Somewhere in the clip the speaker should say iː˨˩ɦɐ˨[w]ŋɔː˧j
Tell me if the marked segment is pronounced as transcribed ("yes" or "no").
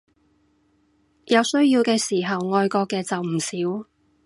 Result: yes